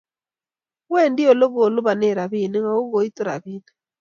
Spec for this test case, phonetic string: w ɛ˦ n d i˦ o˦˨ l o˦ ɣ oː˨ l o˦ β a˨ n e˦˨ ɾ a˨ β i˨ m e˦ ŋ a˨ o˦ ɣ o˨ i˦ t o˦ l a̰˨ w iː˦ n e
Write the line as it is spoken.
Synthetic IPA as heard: w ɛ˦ n d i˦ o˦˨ l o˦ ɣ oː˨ l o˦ β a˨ n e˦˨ ɾ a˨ β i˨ n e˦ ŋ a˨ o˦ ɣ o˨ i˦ t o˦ ɾ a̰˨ β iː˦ n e